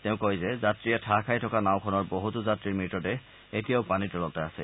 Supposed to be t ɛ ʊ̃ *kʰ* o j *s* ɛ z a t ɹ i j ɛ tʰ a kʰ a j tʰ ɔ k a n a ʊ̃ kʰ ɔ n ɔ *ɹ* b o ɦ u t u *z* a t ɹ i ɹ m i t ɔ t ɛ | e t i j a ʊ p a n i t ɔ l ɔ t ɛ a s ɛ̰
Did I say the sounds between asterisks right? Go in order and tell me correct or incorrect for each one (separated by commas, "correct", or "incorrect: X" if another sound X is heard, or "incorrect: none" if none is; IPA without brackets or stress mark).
incorrect: k, incorrect: z, correct, correct